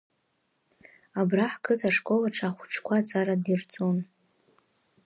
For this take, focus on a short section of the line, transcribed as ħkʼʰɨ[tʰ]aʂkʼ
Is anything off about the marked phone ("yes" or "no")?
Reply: no